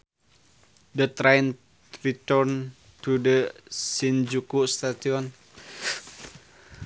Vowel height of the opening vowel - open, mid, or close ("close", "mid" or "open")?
mid